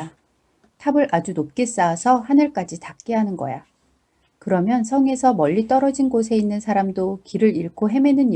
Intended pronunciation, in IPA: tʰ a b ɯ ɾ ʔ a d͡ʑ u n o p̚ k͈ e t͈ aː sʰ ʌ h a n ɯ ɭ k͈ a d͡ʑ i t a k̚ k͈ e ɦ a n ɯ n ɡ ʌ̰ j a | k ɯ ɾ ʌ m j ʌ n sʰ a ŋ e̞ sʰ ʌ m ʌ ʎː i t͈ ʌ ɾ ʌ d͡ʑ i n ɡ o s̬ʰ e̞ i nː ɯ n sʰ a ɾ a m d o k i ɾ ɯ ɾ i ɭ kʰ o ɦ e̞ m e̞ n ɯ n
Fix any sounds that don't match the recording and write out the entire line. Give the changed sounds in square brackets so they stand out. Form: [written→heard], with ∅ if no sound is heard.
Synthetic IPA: tʰ a b ɯ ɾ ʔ a d͡ʑ u n o p̚ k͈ e [t͈→s͈] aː sʰ ʌ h a n ɯ ɭ k͈ a d͡ʑ i t a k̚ k͈ e ɦ a n ɯ n ɡ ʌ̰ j a | k ɯ ɾ ʌ m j ʌ n sʰ [a→ʌ] ŋ e̞ sʰ ʌ m ʌ ʎː i t͈ ʌ ɾ ʌ d͡ʑ i n ɡ o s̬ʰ e̞ i nː ɯ n sʰ a ɾ a m d o k i ɾ ɯ ɾ i ɭ kʰ o ɦ e̞ m e̞ n ɯ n